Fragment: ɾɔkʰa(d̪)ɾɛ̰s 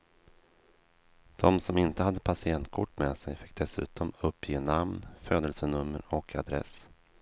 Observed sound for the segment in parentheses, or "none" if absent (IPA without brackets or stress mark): d̪